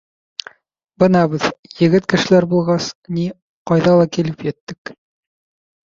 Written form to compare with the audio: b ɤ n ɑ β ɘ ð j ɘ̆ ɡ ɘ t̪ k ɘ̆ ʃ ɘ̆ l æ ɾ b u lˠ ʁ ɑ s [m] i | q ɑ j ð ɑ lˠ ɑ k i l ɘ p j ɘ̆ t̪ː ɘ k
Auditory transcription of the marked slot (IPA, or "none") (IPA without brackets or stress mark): n